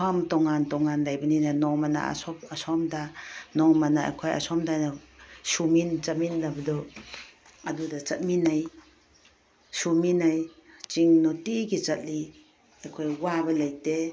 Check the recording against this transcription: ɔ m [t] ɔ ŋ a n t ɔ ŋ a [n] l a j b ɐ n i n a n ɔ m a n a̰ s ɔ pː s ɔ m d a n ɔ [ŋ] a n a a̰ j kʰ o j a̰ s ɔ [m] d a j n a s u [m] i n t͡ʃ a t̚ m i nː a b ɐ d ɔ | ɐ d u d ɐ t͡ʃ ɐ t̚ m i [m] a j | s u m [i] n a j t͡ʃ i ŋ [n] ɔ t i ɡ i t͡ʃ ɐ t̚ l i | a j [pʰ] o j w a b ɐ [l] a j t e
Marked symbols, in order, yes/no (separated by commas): yes, yes, no, yes, yes, no, yes, yes, no, yes